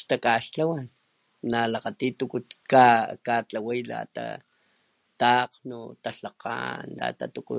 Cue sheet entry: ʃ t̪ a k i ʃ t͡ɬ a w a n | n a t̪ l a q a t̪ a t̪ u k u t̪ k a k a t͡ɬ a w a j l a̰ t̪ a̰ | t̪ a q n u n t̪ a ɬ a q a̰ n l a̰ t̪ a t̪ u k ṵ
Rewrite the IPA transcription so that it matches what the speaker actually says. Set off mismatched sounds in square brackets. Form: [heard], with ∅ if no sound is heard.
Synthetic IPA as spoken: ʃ t̪ a k [a] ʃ t͡ɬ a w a n | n a [∅] l a q a t̪ [i] t̪ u k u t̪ k a k a t͡ɬ a w a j l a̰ t̪ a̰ | t̪ a q n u [∅] t̪ a ɬ a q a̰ n l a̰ t̪ a t̪ u k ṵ